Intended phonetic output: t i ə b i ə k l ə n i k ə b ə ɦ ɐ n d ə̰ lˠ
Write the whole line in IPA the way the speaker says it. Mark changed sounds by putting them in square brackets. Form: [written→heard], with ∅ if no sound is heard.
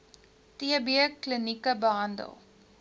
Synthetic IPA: t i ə b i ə k l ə n i k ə b ə ɦ ɐ n d ə̰ lˠ